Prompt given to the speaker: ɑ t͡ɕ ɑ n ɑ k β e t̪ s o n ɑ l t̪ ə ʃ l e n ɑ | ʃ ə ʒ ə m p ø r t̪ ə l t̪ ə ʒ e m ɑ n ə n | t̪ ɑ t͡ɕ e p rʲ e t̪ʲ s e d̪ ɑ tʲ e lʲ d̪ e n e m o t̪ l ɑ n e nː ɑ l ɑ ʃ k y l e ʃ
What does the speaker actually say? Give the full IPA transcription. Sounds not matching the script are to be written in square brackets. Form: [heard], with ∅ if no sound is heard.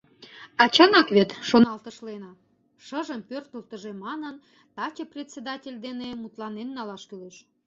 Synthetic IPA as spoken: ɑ t͡ɕ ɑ n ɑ k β e t̪ [ʃ] o n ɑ l t̪ ə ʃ l e n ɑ | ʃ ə ʒ ə m p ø r t̪ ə l t̪ ə ʒ e m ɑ n ə n | t̪ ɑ t͡ɕ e p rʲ e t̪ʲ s e d̪ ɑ tʲ e lʲ d̪ e n e m [u] t̪ l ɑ n e nː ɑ l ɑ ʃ k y l e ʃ